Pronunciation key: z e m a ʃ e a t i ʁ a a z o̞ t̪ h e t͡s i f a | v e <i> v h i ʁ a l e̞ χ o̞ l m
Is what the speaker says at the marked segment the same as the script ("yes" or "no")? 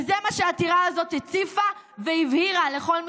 yes